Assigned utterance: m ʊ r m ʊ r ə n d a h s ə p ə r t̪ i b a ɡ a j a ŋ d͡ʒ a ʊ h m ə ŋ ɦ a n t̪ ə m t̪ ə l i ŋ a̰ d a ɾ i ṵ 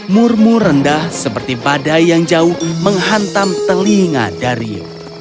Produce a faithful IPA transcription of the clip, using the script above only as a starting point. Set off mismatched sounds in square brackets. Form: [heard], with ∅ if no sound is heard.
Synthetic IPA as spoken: m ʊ r m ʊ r ə n d a h s ə p ə r t̪ i b a [d] a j a ŋ d͡ʒ a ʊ h m ə ŋ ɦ a n t̪ [a] m t̪ ə l i ŋ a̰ d a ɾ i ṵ